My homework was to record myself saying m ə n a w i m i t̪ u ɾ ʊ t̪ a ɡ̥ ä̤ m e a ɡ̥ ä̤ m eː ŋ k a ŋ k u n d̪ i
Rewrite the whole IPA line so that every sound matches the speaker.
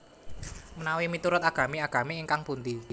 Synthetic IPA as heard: m ə n a w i m i t̪ u ɾ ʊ t̪ a ɡ̥ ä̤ m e a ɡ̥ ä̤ m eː ŋ k a ŋ p u n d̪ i